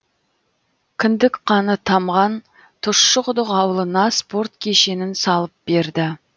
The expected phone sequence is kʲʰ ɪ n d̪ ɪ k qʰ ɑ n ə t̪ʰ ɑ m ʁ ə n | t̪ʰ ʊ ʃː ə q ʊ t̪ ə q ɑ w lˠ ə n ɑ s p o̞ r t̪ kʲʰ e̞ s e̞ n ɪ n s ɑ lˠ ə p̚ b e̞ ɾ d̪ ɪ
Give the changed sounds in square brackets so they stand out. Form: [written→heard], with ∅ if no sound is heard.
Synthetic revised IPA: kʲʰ ɪ n d̪ ɪ k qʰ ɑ n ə t̪ʰ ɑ m ʁ [ə→ɑ] n | t̪ʰ ʊ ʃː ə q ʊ [t̪→d̪] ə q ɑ w lˠ ə n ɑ s p o̞ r t̪ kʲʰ e̞ [s→ʃ] e̞ n ɪ n s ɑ lˠ ə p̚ b e̞ ɾ d̪ ɪ